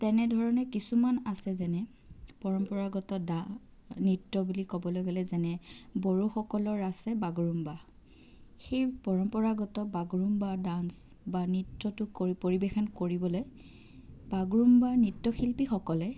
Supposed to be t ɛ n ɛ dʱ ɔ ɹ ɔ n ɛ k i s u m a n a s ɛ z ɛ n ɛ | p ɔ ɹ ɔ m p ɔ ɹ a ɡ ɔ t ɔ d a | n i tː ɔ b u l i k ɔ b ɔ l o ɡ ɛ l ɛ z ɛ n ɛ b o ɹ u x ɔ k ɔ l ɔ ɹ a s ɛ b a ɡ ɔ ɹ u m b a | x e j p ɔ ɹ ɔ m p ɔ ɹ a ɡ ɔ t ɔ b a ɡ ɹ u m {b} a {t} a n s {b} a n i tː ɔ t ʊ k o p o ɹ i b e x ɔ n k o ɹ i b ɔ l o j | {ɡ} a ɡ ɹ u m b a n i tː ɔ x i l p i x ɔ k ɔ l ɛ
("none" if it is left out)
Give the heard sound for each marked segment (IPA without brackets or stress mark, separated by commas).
b, d, b, b